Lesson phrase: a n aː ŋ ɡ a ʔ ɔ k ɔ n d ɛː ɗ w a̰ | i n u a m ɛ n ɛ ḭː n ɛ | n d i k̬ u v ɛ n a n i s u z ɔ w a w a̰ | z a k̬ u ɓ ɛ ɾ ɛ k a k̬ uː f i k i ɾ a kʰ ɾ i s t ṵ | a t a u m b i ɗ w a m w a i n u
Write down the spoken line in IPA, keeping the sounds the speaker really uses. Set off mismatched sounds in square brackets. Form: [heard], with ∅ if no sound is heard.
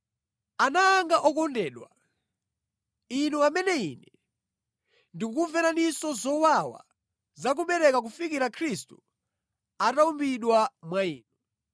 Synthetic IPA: a n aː ŋ ɡ a ʔ ɔ k ɔ n d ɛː ɗ w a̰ | i n u a m ɛ n ɛ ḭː n ɛ | n d i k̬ u v ɛ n a n i s [ɔ] z ɔ w a w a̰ | z a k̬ u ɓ ɛ ɾ ɛ k a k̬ [u] f i k i ɾ a kʰ ɾ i s t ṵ | a t a u m b i ɗ w a m w a [iː] n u